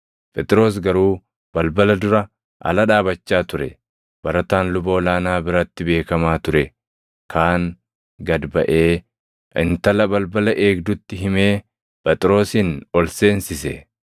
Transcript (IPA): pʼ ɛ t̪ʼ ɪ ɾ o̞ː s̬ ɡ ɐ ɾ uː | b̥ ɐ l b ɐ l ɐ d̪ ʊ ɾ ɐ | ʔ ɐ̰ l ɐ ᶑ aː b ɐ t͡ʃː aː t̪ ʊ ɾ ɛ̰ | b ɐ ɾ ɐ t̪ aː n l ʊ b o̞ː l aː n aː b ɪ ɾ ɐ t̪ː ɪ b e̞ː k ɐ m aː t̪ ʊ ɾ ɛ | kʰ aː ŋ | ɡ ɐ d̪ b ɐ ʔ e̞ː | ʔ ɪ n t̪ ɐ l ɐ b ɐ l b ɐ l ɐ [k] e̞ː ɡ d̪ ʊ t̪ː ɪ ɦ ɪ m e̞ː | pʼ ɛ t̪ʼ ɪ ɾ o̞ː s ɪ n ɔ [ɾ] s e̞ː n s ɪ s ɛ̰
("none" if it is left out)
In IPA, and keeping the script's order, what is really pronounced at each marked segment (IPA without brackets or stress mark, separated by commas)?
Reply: ʔ, l